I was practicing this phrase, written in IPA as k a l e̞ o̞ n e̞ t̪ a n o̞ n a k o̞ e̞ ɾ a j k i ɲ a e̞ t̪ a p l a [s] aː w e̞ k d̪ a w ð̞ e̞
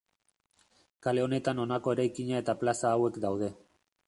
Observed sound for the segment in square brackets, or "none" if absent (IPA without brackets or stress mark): s